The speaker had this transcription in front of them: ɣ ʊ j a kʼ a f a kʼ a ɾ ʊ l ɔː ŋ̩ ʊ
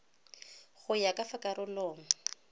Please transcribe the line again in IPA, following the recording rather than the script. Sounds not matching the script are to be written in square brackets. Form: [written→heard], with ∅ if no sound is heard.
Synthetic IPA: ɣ ʊ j a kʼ a f a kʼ a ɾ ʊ l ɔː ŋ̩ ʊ